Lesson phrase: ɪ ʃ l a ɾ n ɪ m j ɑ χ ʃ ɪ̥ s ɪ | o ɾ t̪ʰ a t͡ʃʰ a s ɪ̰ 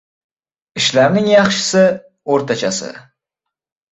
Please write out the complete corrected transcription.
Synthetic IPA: ɪ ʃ l a ɾ n ɪ ŋ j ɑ χ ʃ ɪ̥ s ɪ | o ɾ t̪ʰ a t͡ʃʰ a s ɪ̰